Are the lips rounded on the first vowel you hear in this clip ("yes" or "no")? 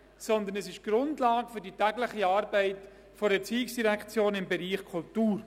yes